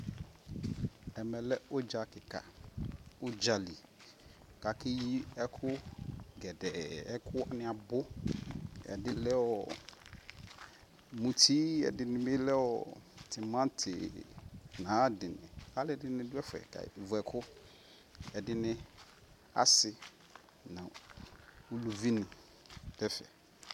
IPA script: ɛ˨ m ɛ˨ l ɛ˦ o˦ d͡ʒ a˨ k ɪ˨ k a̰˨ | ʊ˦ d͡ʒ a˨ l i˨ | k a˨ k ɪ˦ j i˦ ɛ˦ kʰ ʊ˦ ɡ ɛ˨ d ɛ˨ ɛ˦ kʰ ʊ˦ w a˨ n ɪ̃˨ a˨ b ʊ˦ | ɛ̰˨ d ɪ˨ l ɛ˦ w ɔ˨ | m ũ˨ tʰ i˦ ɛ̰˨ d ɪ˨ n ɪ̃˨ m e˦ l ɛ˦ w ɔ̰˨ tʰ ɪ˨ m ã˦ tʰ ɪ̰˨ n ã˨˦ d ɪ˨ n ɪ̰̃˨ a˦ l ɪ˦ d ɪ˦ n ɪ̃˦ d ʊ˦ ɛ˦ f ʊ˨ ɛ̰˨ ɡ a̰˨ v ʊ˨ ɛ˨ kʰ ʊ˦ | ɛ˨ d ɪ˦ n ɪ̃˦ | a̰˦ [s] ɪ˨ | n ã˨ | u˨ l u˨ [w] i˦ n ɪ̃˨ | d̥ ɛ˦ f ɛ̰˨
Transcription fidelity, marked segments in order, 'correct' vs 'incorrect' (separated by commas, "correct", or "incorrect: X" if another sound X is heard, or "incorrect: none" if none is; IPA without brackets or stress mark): correct, incorrect: v